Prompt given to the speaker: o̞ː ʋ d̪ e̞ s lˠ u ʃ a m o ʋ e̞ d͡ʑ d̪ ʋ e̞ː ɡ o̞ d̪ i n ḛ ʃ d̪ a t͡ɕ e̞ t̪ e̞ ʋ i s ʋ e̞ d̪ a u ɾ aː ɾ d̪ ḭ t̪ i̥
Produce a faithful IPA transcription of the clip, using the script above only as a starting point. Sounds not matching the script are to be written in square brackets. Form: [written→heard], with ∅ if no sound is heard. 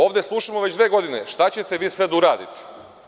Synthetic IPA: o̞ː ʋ d̪ e̞ s lˠ u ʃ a m o ʋ e̞ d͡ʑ d̪ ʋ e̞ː ɡ o̞ d̪ i n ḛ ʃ [d̪→t̪] a t͡ɕ e̞ t̪ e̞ ʋ [i→iː] s ʋ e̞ d̪ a u ɾ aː [ɾ→∅] d̪ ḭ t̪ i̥